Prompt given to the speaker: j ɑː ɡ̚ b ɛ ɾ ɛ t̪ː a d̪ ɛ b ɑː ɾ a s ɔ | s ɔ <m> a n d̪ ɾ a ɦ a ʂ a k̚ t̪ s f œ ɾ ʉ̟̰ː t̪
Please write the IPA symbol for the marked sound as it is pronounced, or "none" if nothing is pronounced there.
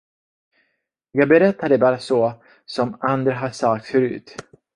m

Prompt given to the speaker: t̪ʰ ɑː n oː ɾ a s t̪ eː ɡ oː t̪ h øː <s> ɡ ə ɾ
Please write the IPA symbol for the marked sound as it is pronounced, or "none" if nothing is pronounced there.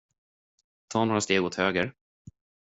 none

